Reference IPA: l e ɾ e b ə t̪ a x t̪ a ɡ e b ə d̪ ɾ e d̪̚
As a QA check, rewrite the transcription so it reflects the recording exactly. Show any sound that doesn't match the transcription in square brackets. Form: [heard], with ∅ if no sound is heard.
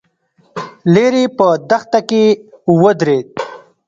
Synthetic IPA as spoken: l e ɾ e [p] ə [d̪] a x t̪ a [k] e [w] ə d̪ ɾ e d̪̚